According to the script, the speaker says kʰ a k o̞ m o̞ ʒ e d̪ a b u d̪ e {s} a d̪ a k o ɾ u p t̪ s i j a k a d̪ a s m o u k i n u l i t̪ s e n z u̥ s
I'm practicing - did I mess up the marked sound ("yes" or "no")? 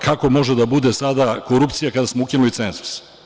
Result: no